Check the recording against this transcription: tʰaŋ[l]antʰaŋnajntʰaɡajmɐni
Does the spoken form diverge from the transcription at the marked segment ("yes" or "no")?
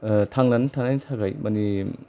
no